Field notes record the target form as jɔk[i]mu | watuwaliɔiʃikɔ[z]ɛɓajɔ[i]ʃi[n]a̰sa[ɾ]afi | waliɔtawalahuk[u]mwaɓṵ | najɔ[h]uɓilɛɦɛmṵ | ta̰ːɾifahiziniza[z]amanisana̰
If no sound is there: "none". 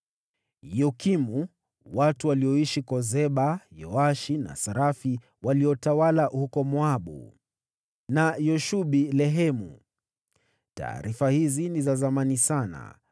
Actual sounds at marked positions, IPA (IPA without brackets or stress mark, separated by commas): i, z, a, n, ɾ, ɔ, ʃ, z